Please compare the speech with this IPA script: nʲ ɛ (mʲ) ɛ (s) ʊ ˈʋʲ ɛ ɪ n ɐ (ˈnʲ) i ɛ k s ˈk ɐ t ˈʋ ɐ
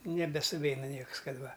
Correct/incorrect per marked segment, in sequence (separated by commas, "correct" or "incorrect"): incorrect, correct, correct